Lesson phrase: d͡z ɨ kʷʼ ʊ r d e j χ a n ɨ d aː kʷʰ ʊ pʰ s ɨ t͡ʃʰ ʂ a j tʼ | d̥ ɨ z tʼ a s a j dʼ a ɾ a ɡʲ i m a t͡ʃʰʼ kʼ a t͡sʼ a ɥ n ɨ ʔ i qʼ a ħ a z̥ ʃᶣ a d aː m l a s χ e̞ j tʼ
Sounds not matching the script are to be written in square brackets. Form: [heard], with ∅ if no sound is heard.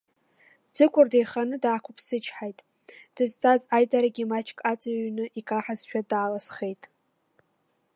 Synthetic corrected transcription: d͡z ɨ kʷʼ ʊ r d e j χ a n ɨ d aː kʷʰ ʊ pʰ s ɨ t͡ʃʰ [ħ] a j tʼ | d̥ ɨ z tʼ a [z] a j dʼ a ɾ a ɡʲ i m a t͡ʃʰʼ kʼ a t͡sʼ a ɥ n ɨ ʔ i [kʼ] a ħ a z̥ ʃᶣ a d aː [∅] l a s χ e̞ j tʼ

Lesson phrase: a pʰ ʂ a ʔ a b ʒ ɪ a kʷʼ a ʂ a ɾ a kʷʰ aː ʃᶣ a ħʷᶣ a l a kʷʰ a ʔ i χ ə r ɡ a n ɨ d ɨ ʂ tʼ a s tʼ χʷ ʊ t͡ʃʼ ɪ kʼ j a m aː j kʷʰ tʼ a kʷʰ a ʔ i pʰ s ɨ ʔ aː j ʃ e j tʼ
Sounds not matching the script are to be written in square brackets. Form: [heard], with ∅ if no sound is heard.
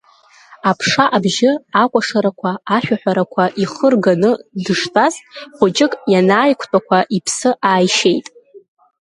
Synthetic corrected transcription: a pʰ ʂ a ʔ a b ʒ ɪ a kʷʼ a ʂ a ɾ a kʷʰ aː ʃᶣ a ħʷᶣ a [ɾ] a kʷʰ a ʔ i χ ə r ɡ a n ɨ d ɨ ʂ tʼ a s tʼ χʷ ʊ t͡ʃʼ ɪ kʼ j a [n] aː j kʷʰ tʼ a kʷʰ a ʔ i pʰ s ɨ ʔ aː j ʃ e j tʼ

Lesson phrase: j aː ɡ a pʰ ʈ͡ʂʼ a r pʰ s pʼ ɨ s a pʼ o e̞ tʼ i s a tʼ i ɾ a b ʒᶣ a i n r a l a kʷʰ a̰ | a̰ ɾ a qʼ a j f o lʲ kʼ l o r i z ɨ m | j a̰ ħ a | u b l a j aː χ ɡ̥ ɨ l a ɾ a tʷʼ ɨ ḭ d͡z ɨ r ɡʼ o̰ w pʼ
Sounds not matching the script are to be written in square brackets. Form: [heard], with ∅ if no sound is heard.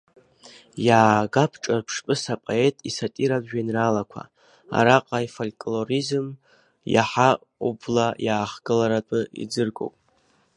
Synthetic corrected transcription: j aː ɡ a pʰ ʈ͡ʂʼ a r pʰ [ʂ] pʼ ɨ s a pʼ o e̞ tʼ i s a tʼ i ɾ a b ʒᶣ a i n r a l a kʷʰ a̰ | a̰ ɾ a qʼ a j f o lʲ kʼ l o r i z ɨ m | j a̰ ħ a | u b l a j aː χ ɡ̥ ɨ l a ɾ a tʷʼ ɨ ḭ d͡z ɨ r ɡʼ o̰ w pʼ

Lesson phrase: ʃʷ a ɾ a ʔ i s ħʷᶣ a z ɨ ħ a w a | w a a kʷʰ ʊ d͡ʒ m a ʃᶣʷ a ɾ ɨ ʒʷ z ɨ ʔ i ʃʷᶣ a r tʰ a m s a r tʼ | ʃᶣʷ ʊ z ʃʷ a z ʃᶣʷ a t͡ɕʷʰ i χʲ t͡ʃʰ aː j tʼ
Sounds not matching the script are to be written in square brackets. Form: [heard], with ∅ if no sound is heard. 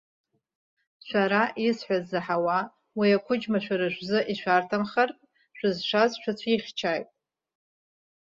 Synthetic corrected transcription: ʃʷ a ɾ a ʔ i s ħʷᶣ a z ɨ ħ a w a | w [i] a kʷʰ ʊ d͡ʒ m a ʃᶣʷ a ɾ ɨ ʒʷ z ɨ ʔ i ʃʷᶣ a r tʰ a m [χ] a r tʼ | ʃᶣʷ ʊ z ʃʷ a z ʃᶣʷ a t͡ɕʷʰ i χʲ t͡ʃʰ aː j tʼ

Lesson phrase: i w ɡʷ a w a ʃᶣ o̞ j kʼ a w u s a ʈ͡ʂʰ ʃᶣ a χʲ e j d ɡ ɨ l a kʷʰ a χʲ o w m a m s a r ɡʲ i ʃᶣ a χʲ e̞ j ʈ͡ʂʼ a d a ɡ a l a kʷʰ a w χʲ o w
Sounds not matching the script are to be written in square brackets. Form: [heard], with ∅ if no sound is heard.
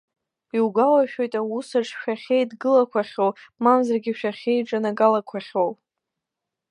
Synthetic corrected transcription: i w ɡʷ a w a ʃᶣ o̞ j [tʼ] a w u s a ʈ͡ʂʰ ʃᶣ a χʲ e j d ɡ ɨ l a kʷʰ a χʲ o w m a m [z] a r ɡʲ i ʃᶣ a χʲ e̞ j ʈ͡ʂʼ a [n] a ɡ a l a kʷʰ a [∅] χʲ o w

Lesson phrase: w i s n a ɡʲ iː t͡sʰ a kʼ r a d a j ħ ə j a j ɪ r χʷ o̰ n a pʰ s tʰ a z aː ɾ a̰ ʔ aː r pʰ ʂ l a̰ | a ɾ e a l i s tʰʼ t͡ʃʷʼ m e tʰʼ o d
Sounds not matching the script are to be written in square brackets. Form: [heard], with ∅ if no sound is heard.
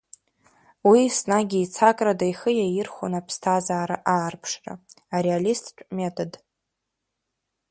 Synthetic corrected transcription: w i s n a ɡʲ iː t͡sʰ a kʼ r a d a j [χ] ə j a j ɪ r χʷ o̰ n a pʰ s tʰ a z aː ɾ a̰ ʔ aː r pʰ ʂ [r] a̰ | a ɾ e a l i s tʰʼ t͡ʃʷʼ m e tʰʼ o d

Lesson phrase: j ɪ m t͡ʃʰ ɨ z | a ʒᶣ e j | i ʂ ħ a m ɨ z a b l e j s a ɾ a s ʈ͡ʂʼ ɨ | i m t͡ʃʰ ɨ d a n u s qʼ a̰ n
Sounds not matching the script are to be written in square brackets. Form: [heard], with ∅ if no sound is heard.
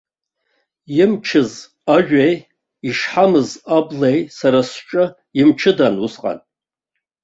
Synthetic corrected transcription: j ɪ m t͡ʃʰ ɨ z | a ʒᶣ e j | i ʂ ħ a m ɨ z a b l e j s a ɾ a s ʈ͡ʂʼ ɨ | i m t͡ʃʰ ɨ d a n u s qʼ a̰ n

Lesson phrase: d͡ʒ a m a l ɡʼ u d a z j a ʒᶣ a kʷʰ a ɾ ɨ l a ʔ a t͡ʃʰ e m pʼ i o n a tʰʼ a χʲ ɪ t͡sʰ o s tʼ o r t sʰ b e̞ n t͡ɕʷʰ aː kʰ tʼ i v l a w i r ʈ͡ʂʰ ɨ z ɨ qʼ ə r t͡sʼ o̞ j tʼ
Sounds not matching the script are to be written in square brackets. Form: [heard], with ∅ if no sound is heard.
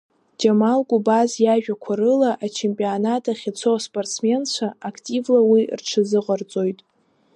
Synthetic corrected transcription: d͡ʒ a m a l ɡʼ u [b] a z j a ʒᶣ a kʷʰ a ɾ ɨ l a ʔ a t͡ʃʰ e m pʼ i o n a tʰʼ a χʲ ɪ t͡sʰ o s [pʼ] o r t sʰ [m] e̞ n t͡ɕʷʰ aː kʰ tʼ i v l a w i r ʈ͡ʂʰ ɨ z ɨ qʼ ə r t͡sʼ o̞ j tʼ

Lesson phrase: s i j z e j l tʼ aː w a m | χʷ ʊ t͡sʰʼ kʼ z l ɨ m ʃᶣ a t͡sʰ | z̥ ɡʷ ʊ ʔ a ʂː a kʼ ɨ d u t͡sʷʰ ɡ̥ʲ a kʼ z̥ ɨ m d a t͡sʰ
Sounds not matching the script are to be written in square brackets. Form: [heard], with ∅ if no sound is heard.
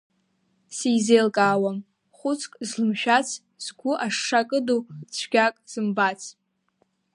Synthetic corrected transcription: s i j z e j l [kʼ] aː w a m | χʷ ʊ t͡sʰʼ kʼ z l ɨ m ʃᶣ a t͡sʰ | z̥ ɡʷ ʊ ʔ a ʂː a kʼ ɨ d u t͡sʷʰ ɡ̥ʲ a kʼ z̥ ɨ m [b] a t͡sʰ

